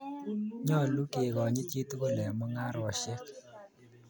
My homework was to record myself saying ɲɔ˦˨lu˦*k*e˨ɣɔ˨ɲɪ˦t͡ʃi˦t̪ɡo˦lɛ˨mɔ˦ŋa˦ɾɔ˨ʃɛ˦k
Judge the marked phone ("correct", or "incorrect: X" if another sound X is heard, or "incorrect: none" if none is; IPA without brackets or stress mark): correct